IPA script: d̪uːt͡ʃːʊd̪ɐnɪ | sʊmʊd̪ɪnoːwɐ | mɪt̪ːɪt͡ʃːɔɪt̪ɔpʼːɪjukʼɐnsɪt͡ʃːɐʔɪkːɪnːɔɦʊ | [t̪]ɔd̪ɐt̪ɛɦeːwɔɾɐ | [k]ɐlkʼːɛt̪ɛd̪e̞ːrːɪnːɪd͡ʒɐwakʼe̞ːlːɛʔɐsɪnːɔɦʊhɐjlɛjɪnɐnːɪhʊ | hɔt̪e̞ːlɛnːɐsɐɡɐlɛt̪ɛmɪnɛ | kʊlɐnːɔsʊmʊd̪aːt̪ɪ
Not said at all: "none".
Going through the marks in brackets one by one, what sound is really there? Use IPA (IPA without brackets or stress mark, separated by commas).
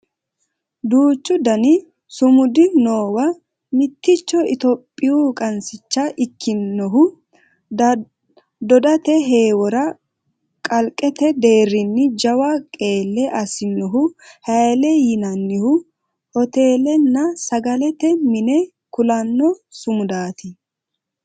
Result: d̪, kʼ